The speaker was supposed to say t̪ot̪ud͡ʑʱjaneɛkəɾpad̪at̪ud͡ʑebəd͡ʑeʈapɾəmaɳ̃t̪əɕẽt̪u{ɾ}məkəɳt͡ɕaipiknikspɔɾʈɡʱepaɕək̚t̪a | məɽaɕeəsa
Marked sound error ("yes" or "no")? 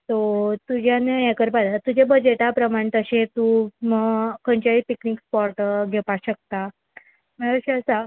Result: yes